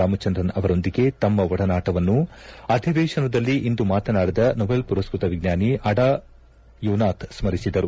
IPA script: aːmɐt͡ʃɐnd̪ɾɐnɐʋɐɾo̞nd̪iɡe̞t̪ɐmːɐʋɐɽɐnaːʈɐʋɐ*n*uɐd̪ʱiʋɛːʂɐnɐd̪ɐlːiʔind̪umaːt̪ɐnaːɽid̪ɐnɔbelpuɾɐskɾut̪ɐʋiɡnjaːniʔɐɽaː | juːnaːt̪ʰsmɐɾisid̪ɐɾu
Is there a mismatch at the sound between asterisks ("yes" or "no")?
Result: yes